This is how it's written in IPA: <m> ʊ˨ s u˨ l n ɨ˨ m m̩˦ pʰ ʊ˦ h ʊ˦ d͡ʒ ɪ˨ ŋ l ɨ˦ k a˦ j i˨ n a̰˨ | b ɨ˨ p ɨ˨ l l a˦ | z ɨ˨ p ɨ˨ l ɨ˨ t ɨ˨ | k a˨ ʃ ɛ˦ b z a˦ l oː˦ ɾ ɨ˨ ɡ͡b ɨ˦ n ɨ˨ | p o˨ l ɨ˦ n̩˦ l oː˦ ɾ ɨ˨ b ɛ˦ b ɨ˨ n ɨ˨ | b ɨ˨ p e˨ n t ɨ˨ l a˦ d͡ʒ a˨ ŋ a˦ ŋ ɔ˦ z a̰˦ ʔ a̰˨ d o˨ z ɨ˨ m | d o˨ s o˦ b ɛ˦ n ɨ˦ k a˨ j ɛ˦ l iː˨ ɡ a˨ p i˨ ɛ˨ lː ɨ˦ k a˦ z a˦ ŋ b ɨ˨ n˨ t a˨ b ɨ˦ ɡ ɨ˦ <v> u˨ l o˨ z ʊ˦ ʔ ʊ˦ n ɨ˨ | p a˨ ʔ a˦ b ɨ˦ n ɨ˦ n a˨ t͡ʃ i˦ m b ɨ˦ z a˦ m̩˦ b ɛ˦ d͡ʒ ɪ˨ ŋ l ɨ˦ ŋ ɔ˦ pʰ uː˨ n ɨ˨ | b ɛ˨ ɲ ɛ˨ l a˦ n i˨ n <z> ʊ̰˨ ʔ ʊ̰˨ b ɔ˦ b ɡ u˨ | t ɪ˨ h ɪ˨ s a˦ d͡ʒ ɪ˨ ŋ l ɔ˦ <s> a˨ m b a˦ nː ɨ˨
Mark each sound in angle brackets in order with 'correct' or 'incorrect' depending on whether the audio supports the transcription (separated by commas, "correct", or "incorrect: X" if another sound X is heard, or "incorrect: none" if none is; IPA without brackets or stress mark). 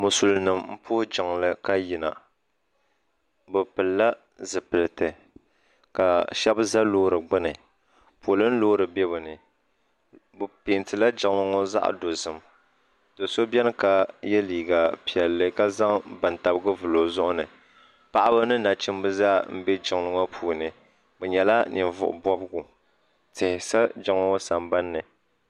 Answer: correct, correct, incorrect: v, correct